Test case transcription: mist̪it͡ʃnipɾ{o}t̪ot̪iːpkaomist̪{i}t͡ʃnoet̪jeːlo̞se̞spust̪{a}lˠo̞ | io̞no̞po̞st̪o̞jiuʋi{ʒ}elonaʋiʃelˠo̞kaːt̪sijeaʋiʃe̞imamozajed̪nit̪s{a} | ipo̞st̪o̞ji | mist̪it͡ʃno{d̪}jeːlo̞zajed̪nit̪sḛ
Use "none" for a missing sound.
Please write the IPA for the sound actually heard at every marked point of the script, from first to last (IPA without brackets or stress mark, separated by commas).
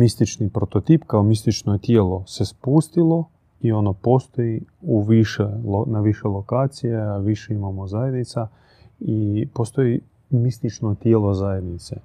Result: o, i, i, ʃ, a, t̪